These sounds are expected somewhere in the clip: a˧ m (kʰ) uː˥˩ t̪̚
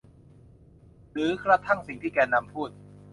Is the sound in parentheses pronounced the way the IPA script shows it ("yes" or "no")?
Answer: no